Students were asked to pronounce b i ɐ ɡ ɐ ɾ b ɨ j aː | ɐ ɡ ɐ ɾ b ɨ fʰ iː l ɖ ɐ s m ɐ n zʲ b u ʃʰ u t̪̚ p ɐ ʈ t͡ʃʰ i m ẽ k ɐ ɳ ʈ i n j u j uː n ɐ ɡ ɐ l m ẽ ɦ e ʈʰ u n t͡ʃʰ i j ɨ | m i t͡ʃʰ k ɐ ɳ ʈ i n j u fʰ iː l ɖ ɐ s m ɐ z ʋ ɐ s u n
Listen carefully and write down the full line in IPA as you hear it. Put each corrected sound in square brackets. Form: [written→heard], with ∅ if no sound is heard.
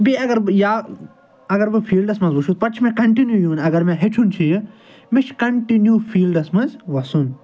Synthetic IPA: b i ɐ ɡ ɐ ɾ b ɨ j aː | ɐ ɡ ɐ ɾ b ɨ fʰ iː l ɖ ɐ s m ɐ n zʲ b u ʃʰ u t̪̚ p ɐ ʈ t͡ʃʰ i m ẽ k ɐ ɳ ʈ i n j u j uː n ɐ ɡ ɐ [l→ɾ] m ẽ ɦ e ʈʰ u n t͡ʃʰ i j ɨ | m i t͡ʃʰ k ɐ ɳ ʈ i n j u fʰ iː l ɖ ɐ s m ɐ z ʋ ɐ s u n